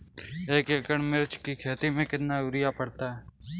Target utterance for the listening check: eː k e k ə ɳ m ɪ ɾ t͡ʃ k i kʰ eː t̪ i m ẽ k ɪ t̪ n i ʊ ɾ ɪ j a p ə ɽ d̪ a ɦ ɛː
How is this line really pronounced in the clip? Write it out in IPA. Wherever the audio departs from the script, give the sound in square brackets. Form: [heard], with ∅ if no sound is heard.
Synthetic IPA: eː k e k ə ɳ m ɪ ɾ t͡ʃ k i kʰ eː t̪ i m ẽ k ɪ t̪ n [a] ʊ ɾ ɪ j a p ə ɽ [t̪] a ɦ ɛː